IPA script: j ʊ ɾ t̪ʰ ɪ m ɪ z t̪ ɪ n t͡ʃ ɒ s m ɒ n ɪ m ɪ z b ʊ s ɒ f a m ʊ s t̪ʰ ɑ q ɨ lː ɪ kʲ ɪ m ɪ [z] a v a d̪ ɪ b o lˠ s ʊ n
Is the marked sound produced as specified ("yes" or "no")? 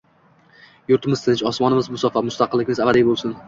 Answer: yes